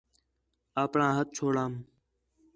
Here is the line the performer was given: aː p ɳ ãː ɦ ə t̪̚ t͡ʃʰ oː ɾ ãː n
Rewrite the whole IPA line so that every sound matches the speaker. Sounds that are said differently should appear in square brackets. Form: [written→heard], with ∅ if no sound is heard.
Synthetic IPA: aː p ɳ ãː ɦ ə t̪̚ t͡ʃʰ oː [ɾ→ɽ] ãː [n→m]